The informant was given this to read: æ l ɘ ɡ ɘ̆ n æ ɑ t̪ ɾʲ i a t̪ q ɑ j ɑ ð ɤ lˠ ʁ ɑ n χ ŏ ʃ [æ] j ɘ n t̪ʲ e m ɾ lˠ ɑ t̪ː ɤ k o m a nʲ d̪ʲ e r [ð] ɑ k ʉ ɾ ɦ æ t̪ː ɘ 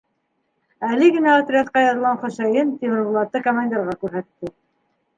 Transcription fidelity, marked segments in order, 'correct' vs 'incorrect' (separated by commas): correct, incorrect